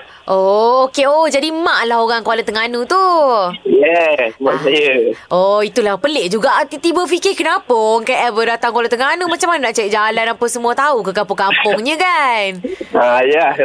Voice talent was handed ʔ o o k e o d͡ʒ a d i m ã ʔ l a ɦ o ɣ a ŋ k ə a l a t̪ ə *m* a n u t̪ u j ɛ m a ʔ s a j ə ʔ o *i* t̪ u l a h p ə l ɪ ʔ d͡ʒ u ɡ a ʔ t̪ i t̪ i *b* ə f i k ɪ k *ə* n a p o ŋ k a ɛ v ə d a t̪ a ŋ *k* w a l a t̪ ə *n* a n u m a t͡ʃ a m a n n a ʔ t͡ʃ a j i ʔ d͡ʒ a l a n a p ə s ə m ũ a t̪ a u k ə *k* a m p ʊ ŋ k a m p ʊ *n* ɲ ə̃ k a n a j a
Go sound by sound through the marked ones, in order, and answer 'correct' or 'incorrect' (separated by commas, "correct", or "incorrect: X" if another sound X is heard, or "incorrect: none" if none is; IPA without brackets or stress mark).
incorrect: ŋ, correct, correct, correct, correct, incorrect: ŋ, correct, incorrect: ŋ